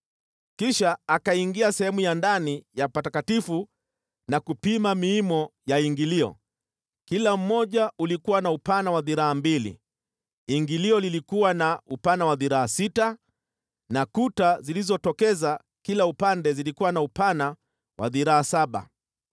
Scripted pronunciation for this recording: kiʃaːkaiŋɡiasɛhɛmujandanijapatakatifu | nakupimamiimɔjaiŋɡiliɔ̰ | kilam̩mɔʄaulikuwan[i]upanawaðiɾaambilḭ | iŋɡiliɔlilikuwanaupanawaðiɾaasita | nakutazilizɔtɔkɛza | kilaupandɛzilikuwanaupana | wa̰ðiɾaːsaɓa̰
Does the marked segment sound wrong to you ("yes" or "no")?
yes